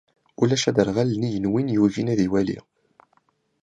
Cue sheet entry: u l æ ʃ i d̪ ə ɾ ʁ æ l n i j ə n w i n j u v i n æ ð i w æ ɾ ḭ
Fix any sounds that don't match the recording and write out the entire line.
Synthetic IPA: u l æ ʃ æ d̪ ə ɾ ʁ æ l n i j ə n w i n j u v i n æ ð i w æ l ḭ